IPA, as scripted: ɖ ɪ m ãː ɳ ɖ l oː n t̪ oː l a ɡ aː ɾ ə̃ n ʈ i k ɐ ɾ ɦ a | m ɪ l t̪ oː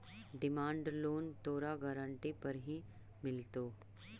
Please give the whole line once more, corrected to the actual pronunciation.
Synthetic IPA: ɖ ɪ m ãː ɳ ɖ l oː n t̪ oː ɾ a ɡ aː ɾ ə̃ ɳ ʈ i p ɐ ɾ ɦ i | m ɪ l t̪ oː